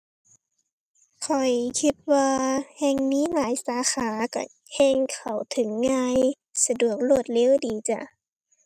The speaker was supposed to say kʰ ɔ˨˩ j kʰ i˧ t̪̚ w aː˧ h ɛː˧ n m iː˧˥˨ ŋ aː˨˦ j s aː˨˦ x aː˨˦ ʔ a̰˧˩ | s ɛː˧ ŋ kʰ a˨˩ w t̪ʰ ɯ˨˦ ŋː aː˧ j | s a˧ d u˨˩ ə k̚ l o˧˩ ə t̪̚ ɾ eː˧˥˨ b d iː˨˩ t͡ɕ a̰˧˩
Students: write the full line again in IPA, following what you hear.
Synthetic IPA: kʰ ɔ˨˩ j kʰ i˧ t̪̚ w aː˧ h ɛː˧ ŋ m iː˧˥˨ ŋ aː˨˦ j s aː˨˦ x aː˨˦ k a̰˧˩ | h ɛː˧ ŋ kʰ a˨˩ w t̪ʰ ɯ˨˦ ŋː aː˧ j | s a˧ d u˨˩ ə k̚ l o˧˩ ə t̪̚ l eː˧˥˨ w d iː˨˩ t͡ɕ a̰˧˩